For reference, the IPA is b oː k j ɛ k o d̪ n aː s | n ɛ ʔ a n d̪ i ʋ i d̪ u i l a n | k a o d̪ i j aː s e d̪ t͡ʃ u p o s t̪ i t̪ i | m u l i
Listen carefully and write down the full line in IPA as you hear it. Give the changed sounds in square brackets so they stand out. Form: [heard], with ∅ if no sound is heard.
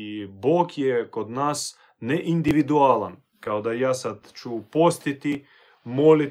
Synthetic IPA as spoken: b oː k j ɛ k o d̪ n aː s | n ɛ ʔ [i] n d̪ i ʋ i d̪ u [a] l a n | k a o d̪ [a] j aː s [a] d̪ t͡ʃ u p o s t̪ i t̪ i | m [o] l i